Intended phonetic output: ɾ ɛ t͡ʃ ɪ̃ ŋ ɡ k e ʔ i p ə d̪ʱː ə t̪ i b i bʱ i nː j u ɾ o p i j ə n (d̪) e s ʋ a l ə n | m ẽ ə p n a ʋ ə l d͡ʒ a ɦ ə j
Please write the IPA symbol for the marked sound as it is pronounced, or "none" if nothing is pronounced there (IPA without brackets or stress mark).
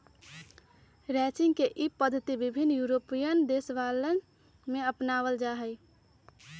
d̪